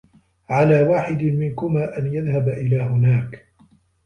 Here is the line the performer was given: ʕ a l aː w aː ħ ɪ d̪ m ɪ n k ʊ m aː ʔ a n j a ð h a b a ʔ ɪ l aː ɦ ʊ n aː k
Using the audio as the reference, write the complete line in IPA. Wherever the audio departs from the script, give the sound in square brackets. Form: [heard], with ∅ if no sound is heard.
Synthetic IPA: ʕ a l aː w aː ħ ɪ d̪ m ɪ n k ʊ m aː ʔ a n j a ð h a b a ʔ ɪ l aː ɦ ʊ n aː k